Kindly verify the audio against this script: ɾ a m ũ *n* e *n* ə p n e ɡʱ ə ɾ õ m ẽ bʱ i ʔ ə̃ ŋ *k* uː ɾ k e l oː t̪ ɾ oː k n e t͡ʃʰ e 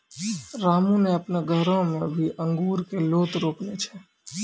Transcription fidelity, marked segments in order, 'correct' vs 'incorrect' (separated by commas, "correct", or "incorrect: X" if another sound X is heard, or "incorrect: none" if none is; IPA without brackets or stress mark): correct, incorrect: none, incorrect: ɡ